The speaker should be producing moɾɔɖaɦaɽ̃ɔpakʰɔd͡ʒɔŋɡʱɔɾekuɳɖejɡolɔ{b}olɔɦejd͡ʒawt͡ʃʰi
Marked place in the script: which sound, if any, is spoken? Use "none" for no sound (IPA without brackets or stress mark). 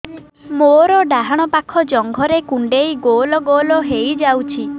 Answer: ɡ